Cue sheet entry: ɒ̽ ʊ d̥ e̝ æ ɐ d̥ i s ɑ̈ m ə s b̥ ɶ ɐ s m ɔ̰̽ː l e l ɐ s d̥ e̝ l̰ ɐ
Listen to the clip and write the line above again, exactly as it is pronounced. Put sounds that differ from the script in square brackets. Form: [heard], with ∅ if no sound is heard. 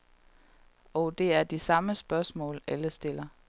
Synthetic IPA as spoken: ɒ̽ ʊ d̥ e̝ æ ɐ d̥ i s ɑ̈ m ə s b̥ ɶ ɐ s m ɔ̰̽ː l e l [ə] s d̥ e̝ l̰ ɐ